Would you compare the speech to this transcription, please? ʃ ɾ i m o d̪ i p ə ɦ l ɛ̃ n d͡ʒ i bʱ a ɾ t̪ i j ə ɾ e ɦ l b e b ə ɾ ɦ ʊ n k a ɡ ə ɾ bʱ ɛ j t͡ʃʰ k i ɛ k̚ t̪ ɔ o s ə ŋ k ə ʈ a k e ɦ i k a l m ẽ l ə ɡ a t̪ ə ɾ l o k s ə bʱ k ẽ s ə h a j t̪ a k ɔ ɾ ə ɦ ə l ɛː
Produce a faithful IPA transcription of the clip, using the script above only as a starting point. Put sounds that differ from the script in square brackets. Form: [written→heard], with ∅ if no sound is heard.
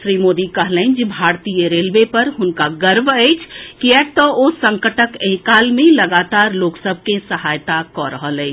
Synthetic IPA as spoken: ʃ ɾ i m o d̪ i [p→k] ə ɦ l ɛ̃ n d͡ʒ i bʱ a ɾ t̪ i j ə ɾ e [ɦ→∅] l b e [b→p] ə ɾ ɦ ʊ n k a ɡ ə ɾ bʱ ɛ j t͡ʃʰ k i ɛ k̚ t̪ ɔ o s ə ŋ k ə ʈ [a→ə] k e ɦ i k a l m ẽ l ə ɡ a t̪ [ə→a] ɾ l o k s ə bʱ k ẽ s ə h a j t̪ a k ɔ ɾ ə ɦ ə l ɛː